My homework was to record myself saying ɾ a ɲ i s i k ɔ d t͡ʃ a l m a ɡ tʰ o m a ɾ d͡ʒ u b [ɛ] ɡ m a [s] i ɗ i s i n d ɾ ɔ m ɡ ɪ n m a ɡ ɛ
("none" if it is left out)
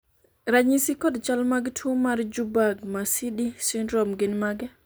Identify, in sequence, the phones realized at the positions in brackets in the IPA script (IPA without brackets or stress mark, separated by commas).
a, s